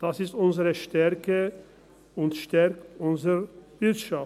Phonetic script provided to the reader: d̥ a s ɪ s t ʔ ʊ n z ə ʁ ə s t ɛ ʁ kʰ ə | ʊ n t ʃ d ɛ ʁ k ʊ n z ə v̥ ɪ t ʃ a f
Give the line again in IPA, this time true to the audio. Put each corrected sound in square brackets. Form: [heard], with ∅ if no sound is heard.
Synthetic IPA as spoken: d̥ a s ɪ s t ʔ ʊ n z ə ʁ ə [ʃ] t ɛ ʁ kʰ ə | ʊ n t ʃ [t] ɛ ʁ k ʊ n z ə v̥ ɪ t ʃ a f